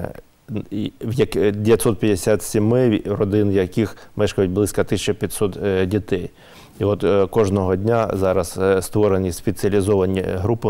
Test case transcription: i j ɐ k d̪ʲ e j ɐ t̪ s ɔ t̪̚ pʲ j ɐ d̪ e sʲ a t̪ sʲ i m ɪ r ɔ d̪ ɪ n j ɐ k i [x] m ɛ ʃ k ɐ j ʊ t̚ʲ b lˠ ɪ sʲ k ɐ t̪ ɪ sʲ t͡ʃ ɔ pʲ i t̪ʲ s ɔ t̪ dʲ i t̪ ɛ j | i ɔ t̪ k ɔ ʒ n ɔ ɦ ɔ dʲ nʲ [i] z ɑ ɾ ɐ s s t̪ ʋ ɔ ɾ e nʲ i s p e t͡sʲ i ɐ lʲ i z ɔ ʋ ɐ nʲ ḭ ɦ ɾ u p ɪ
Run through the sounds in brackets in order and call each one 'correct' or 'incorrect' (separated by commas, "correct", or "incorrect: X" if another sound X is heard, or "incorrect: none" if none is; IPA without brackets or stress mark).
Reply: correct, incorrect: a